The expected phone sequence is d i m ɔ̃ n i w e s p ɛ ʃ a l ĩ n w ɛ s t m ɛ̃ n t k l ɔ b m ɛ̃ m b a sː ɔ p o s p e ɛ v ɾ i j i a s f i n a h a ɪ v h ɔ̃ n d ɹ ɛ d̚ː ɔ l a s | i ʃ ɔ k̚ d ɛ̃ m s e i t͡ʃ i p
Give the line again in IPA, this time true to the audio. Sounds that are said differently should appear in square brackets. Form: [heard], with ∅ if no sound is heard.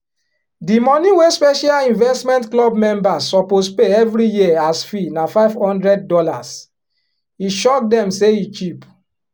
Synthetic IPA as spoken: d i m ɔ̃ n i w e s p ɛ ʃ a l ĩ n [v] ɛ s t m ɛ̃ n t k l ɔ b m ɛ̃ m b a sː ɔ p o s p e ɛ v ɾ i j i a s f i n a [f] a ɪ v h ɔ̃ n d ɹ ɛ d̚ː ɔ l a s | i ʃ ɔ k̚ d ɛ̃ m s e i t͡ʃ i p